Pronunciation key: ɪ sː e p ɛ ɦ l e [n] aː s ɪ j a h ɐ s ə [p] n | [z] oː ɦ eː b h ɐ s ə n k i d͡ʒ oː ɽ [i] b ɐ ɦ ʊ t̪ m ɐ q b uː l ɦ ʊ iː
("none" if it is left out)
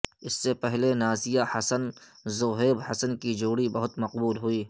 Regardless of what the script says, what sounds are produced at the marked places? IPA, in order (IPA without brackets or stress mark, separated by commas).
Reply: n, none, z, i